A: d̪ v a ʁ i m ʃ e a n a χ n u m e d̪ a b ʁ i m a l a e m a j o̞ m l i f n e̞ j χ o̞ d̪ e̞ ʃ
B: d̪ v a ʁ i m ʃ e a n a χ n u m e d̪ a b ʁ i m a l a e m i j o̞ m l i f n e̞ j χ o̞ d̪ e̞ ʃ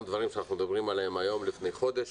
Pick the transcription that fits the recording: A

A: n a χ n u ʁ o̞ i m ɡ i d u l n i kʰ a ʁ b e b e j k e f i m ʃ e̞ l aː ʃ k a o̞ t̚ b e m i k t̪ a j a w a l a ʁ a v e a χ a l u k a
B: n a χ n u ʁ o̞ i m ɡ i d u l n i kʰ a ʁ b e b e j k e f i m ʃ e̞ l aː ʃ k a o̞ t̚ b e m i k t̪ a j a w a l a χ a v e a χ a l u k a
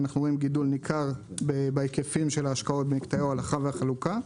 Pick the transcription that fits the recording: B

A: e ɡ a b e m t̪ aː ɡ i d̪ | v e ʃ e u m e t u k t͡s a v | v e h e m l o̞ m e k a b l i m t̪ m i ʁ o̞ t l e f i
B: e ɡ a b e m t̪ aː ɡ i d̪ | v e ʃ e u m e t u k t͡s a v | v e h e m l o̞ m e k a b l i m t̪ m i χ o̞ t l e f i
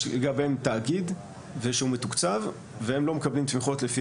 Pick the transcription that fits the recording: B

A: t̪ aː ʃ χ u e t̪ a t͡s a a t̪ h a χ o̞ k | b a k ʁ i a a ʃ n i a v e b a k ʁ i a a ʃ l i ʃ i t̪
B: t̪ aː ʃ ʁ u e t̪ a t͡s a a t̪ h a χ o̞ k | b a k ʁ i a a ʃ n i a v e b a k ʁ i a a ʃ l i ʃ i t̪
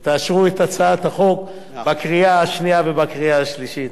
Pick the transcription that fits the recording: B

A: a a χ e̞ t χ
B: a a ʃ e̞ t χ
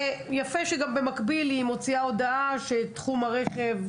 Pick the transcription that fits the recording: B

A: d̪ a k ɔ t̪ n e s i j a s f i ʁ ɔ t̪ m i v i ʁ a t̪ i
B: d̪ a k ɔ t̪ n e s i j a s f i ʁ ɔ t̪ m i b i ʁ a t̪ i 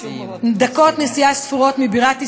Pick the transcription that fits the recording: B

